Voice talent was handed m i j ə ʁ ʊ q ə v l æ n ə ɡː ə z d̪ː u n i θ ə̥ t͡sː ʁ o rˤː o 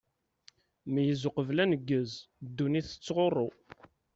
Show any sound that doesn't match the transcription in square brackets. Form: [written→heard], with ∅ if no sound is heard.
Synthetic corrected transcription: m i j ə [ʁ→z] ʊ q ə v l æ n ə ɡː ə z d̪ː u n i θ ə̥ t͡sː ʁ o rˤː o